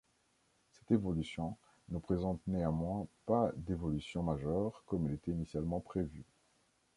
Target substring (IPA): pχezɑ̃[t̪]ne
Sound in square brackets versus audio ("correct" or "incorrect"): correct